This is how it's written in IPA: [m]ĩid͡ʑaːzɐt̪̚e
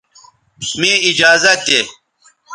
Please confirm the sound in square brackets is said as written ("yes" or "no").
yes